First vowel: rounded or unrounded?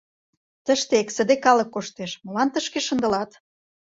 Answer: unrounded